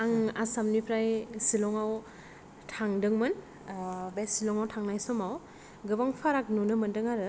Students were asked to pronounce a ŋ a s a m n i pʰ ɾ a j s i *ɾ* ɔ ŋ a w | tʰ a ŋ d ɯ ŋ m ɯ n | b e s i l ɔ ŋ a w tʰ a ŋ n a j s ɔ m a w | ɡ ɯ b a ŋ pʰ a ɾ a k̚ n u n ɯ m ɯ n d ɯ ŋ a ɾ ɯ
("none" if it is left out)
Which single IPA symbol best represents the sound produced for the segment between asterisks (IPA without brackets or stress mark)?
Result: l